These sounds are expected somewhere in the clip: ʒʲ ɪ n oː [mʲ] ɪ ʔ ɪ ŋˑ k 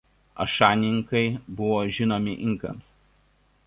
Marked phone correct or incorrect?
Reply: correct